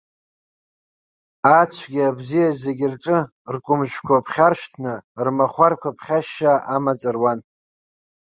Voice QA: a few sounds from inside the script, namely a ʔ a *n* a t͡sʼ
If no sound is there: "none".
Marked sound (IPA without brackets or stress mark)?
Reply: m